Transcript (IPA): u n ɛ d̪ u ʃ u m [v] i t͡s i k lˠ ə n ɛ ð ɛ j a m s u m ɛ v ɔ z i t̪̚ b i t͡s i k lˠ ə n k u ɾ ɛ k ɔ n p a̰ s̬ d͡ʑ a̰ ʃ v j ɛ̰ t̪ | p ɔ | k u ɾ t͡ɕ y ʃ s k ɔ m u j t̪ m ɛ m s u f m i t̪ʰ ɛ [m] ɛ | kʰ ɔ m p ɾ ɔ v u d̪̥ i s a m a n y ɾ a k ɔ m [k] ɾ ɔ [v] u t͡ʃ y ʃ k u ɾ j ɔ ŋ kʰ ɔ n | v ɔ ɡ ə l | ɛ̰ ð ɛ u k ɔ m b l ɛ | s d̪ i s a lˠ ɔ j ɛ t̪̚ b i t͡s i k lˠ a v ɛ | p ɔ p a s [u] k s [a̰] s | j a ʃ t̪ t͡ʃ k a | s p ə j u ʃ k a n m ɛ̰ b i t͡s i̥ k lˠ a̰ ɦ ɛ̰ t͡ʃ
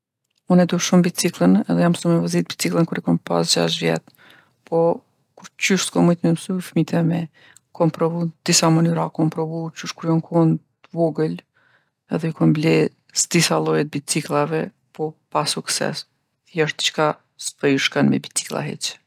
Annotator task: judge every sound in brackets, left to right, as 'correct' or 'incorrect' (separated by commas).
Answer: incorrect, correct, incorrect, correct, correct, incorrect